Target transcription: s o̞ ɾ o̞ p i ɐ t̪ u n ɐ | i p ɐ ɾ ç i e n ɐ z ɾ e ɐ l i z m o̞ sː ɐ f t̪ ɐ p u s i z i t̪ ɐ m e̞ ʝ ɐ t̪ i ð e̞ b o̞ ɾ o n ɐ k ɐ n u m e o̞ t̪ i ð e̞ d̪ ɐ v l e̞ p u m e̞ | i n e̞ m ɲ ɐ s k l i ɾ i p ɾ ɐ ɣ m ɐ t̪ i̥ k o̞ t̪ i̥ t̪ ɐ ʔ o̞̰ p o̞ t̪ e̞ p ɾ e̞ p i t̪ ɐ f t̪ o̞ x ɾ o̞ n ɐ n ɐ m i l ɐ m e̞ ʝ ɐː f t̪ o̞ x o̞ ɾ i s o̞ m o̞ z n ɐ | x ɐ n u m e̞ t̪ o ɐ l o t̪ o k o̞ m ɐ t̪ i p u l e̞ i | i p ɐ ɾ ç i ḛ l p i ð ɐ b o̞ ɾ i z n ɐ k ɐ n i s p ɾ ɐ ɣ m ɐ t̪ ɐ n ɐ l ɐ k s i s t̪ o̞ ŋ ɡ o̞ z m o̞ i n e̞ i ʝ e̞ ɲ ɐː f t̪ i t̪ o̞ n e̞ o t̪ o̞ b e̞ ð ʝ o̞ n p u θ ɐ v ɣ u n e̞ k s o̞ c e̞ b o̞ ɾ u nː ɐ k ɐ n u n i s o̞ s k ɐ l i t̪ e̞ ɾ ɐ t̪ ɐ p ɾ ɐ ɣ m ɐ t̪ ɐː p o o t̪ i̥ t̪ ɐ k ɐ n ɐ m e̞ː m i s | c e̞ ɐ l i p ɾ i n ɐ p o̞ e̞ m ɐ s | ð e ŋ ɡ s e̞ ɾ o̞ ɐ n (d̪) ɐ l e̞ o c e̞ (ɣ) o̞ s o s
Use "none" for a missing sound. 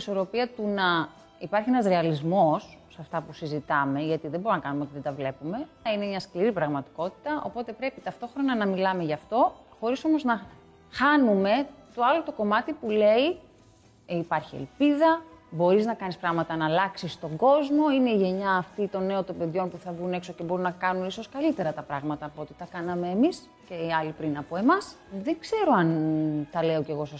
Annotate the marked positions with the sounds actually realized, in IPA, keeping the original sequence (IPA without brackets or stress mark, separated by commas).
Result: t̪, ɣ